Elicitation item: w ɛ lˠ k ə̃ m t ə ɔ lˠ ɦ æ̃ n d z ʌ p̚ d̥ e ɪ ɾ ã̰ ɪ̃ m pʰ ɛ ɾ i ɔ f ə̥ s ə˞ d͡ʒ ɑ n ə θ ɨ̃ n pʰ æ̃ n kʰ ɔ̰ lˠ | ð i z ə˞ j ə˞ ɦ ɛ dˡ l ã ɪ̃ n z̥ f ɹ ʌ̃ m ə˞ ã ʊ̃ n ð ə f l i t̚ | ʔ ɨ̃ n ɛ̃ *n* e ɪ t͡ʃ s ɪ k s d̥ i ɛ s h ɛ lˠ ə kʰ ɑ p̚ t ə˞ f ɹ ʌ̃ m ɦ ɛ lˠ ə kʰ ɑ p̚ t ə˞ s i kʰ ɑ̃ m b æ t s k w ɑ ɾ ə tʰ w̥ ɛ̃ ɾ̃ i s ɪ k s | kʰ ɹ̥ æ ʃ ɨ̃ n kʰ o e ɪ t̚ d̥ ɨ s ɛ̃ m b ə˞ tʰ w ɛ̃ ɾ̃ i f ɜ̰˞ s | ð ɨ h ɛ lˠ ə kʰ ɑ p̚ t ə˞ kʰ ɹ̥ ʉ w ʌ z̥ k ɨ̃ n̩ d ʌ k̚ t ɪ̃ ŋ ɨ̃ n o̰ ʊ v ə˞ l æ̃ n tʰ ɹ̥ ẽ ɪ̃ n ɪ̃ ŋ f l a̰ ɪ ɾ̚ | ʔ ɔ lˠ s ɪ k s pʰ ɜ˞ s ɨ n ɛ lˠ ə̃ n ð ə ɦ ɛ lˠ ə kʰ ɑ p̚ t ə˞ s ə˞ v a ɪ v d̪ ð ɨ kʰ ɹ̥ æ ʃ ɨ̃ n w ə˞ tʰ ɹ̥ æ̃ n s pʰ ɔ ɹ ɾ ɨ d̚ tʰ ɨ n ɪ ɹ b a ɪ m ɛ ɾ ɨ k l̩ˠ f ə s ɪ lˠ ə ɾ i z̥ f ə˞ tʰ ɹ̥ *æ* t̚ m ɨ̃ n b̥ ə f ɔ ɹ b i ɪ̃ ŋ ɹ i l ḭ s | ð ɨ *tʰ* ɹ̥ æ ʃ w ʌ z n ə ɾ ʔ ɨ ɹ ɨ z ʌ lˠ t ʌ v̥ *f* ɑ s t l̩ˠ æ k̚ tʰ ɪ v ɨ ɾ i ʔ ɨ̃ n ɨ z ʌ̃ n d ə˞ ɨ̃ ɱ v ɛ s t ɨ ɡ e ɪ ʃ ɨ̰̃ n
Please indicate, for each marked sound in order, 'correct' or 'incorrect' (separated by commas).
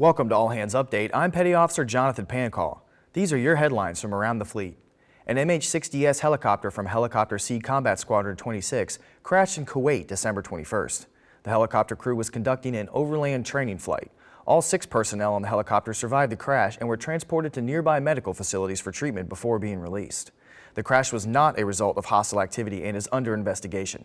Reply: incorrect, incorrect, incorrect, incorrect